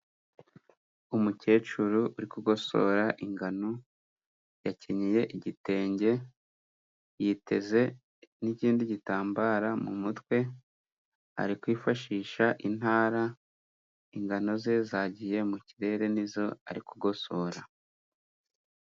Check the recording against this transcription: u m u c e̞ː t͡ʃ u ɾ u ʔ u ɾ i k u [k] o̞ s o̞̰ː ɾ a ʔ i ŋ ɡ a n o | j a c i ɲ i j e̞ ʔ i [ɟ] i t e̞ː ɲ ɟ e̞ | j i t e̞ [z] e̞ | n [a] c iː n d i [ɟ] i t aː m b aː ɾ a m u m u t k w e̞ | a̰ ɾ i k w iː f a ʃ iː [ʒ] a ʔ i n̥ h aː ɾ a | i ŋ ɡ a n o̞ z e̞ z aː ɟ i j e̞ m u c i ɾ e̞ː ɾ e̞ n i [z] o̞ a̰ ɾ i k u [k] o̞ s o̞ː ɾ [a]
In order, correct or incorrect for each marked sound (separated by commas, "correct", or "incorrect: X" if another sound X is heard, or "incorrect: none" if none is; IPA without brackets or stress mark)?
incorrect: ɡ, correct, correct, incorrect: i, correct, incorrect: ʃ, correct, incorrect: ɡ, correct